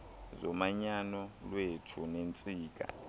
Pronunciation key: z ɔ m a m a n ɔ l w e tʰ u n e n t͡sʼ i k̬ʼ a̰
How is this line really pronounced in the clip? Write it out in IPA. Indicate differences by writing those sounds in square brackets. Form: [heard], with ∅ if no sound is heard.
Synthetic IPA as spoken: z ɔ m a [ɲ] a n ɔ l w e tʰ u n e n t͡sʼ [iː] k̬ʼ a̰